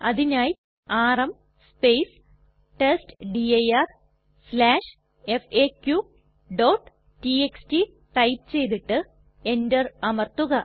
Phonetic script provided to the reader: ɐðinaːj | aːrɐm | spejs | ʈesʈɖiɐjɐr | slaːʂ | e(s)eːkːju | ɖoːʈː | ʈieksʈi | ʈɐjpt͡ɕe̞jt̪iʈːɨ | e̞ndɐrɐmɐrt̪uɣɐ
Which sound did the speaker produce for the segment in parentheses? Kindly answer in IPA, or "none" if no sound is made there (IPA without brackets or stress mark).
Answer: f